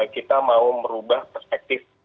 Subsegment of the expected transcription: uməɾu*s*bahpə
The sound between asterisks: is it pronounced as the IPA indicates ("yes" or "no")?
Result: no